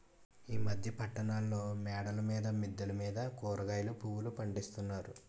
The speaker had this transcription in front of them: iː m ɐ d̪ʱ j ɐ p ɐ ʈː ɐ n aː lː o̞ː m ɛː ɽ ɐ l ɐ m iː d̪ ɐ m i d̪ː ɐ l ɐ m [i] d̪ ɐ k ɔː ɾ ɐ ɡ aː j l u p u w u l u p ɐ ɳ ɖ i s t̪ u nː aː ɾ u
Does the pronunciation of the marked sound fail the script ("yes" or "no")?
yes